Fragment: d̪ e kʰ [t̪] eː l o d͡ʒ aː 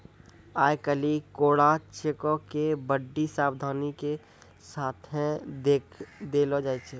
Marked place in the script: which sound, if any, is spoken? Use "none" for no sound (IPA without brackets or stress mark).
d̪